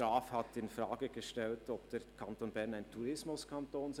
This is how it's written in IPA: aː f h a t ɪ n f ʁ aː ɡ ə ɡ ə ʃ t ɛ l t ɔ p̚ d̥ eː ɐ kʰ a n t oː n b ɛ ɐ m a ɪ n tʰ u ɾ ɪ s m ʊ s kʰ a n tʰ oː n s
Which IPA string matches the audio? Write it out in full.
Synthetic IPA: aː f h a t ɪ n f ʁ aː ɡ ə ɡ ə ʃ t ɛ l t ɔ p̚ d̥ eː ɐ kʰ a n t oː n b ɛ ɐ n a ɪ n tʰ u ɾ ɪ s m ʊ s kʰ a n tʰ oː n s